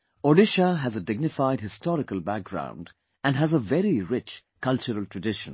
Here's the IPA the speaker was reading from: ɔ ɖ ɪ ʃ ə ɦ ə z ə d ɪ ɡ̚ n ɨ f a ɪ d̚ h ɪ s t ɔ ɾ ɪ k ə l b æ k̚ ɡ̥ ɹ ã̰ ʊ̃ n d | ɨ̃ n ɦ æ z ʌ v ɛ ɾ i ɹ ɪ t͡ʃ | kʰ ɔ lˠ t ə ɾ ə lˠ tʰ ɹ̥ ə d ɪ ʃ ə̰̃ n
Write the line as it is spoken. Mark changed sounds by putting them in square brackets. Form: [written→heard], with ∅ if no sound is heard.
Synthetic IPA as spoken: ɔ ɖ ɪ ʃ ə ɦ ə z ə d ɪ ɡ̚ n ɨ f a ɪ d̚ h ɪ s t ɔ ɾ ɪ k ə l b æ k̚ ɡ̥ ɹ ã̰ ʊ̃ n d | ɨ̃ n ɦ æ z [ʌ→ə] v ɛ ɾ i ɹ ɪ t͡ʃ | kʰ [ɔ→ʌ] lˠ [t→t͡ʃ] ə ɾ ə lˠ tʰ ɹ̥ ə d ɪ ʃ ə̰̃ n

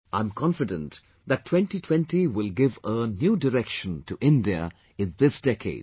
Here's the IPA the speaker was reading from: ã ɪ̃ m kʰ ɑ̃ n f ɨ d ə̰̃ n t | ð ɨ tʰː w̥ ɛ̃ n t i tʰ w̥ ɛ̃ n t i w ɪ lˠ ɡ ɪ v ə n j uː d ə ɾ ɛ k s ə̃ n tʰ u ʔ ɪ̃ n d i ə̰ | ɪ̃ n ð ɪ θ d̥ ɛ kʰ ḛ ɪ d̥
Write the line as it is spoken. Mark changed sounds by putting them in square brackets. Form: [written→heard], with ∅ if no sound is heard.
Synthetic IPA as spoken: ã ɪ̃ m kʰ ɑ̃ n f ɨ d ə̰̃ n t | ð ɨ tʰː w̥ ɛ̃ n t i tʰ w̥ ɛ̃ n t i w ɪ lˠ ɡ ɪ v ə n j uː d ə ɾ ɛ k [s→ʃ] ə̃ n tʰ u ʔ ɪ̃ n d i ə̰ | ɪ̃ n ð ɪ [θ→s] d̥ ɛ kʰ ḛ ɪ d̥

